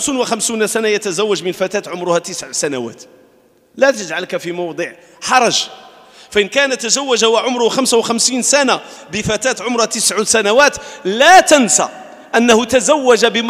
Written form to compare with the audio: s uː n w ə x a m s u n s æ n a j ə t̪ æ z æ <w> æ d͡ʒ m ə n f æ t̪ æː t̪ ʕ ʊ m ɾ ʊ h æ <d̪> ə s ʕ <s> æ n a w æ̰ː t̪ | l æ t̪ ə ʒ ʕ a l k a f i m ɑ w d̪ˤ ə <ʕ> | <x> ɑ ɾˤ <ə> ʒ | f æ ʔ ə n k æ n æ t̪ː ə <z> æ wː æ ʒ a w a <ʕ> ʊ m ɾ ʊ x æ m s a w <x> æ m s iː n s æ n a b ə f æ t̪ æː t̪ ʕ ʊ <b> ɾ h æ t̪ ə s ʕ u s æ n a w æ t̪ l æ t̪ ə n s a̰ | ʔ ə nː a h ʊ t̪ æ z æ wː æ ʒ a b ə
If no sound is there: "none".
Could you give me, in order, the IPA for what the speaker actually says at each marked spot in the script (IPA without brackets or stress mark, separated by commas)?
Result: wː, t̪, s, ʕ, ħ, ɑ, z, ʕ, x, m